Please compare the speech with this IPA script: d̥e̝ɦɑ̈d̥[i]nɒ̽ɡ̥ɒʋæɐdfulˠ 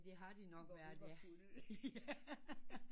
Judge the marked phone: correct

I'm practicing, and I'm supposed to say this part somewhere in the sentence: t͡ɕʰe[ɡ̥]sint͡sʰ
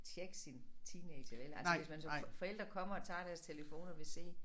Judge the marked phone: correct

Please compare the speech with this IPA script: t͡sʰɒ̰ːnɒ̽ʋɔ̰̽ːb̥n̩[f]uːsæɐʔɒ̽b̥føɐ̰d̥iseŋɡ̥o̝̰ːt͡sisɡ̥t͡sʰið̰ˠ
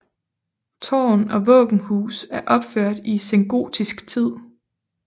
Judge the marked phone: incorrect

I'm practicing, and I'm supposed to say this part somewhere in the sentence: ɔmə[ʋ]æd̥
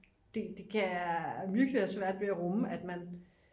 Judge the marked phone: incorrect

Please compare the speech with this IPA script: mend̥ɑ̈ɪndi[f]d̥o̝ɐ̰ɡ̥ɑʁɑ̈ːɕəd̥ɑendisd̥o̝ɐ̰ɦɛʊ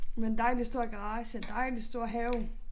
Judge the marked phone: incorrect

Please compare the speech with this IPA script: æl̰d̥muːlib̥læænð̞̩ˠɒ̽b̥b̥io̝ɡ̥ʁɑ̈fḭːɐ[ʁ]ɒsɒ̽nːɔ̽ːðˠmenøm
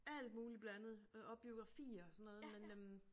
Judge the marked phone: incorrect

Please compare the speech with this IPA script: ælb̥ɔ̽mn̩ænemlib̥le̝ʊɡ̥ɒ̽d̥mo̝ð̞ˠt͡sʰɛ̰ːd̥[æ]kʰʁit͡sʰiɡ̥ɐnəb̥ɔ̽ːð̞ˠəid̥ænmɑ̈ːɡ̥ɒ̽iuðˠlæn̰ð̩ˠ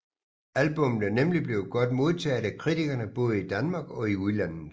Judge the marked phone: correct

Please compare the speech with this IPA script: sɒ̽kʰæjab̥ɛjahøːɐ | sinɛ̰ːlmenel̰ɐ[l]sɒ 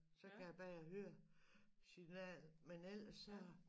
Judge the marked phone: incorrect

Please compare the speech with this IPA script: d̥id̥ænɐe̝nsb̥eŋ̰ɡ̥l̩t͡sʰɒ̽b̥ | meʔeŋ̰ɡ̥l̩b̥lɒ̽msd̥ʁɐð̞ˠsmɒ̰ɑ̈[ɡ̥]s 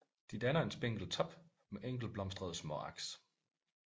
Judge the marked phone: correct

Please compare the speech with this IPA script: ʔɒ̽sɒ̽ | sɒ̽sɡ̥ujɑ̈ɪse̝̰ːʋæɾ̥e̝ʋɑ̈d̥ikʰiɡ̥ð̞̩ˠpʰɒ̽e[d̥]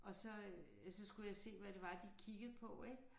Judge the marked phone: incorrect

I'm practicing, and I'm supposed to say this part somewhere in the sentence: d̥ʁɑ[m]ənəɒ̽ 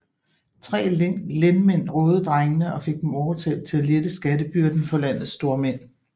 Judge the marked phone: incorrect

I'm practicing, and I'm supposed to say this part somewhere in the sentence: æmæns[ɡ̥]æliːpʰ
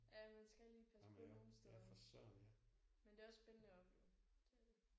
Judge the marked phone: correct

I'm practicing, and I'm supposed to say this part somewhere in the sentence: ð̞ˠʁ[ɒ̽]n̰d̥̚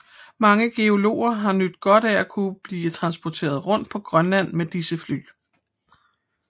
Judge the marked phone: incorrect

